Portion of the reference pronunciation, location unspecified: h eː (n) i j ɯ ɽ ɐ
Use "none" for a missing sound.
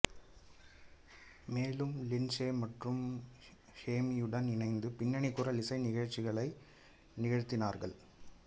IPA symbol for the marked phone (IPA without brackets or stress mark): m